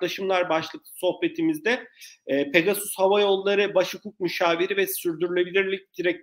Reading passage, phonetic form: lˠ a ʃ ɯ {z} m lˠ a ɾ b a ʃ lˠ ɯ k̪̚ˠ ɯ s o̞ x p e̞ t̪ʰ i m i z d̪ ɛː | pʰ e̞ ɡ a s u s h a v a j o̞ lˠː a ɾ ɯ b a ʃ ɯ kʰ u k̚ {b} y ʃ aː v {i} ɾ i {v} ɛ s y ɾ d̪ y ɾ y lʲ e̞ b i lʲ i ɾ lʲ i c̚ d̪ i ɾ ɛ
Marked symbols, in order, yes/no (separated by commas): no, no, yes, yes